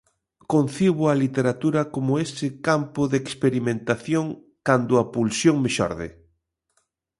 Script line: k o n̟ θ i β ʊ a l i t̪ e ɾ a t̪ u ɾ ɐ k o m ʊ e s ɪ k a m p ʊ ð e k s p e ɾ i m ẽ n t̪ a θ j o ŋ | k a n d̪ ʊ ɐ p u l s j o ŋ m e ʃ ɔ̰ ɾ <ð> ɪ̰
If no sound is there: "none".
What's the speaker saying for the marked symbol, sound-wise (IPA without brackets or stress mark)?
ð